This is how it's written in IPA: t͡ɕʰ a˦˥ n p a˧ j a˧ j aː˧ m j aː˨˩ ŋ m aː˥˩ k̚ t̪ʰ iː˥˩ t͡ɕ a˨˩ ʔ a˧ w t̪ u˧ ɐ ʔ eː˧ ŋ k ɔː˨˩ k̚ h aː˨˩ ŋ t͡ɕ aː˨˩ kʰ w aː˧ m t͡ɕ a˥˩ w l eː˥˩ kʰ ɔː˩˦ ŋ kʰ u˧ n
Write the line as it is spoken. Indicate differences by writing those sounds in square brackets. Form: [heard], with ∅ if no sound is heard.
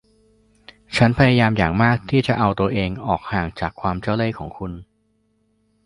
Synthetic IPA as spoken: t͡ɕʰ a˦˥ n [pʰ] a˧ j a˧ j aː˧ m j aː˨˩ ŋ m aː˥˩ k̚ t̪ʰ iː˥˩ t͡ɕ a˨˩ ʔ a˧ w t̪ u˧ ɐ ʔ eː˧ ŋ [ʔ] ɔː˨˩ k̚ h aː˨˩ ŋ t͡ɕ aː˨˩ kʰ w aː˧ m t͡ɕ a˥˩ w l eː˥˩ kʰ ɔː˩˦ ŋ kʰ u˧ n